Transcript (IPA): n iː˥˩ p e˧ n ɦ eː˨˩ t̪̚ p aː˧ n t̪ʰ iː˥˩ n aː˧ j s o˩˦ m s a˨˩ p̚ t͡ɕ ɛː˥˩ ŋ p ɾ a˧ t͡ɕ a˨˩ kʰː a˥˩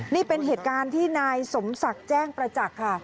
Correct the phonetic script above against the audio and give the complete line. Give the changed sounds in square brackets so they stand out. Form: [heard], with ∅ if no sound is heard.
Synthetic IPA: n iː˥˩ p e˧ n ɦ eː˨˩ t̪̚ [k] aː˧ n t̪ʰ iː˥˩ n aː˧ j s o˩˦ m s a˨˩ [k̚] t͡ɕ ɛː˥˩ ŋ p ɾ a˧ t͡ɕ a˨˩ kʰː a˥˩